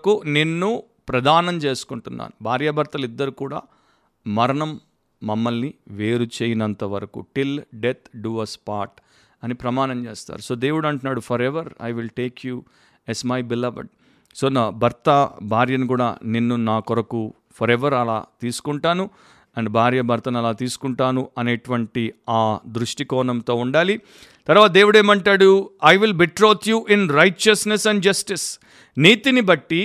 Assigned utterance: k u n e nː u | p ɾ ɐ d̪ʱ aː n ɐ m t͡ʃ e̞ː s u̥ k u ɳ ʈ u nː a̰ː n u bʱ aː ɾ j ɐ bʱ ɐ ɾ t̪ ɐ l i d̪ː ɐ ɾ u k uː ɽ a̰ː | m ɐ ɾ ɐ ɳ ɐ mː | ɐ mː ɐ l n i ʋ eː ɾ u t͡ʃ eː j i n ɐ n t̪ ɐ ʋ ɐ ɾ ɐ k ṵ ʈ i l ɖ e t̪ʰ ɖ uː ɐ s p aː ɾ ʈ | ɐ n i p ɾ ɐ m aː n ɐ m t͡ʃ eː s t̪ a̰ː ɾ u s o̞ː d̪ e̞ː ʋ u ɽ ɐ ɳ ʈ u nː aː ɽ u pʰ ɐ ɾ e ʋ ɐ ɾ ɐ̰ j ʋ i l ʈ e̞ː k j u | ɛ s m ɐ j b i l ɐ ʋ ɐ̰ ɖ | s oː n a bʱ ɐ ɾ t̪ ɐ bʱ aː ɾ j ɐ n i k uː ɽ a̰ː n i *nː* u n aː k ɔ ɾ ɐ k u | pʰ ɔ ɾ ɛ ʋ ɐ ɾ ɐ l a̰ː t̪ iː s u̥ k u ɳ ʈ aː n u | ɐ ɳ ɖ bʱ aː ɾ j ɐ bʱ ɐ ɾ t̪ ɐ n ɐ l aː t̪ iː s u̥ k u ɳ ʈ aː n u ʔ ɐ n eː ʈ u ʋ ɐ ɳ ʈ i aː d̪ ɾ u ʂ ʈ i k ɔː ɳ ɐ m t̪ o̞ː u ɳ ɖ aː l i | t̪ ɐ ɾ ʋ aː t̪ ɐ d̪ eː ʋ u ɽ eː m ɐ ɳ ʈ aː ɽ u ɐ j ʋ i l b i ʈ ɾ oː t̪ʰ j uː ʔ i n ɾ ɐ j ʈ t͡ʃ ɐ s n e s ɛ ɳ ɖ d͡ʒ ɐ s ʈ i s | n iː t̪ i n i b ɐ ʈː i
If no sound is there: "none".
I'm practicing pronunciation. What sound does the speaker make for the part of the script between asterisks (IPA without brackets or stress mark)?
nː